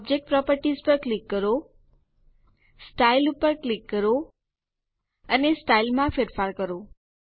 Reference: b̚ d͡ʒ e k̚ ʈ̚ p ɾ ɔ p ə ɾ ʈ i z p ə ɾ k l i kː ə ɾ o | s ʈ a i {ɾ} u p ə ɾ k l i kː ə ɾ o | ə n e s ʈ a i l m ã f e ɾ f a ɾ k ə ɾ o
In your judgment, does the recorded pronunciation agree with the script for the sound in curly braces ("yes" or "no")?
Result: no